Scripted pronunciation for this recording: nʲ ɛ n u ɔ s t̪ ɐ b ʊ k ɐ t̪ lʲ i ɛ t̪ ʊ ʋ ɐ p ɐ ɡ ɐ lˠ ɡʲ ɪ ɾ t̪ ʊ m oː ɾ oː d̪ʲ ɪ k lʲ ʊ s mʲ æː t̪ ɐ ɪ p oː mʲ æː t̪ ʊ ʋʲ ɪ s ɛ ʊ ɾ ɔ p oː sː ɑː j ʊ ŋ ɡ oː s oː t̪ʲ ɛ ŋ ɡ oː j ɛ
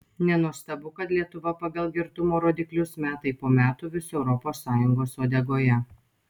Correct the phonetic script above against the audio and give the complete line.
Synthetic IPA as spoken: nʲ ɛ n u ɔ s t̪ ɐ b ʊ k ɐ t̪ lʲ i ɛ t̪ ʊ ʋ ɐ p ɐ ɡ ɐ lˠ ɡʲ ɪ ɾ t̪ ʊ m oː ɾ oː d̪ʲ ɪ k lʲ ʊ s mʲ æː t̪ ɐ ɪ p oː mʲ æː t̪ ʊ ʋʲ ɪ s ɛ ʊ ɾ ɔ p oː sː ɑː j ʊ ŋ ɡ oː s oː d̪ʲ ɛ ɡ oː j ɛ